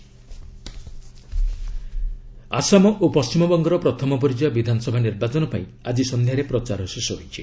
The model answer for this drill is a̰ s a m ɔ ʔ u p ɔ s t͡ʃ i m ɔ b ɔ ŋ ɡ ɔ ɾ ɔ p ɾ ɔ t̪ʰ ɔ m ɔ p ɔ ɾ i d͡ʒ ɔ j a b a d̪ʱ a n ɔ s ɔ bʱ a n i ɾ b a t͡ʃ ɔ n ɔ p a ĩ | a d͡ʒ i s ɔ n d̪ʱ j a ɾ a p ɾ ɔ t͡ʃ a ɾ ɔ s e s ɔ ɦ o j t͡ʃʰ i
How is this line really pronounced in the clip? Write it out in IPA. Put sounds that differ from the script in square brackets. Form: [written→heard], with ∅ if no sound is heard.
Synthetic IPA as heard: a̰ s a m ɔ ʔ [u→o] p ɔ s t͡ʃ i m ɔ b ɔ ŋ ɡ ɔ ɾ ɔ p ɾ ɔ t̪ʰ ɔ m ɔ p ɔ ɾ i d͡ʒ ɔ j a b [a→i] d̪ʱ a n ɔ s ɔ bʱ a n i ɾ b a t͡ʃ ɔ n ɔ p a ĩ | a d͡ʒ i s ɔ n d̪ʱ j a ɾ [a→e] p ɾ ɔ t͡ʃ a ɾ ɔ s e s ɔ ɦ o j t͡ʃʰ i